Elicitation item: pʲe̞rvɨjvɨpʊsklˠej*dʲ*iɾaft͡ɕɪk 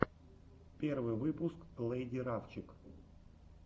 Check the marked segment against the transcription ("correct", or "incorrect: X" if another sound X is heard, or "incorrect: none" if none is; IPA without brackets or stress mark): correct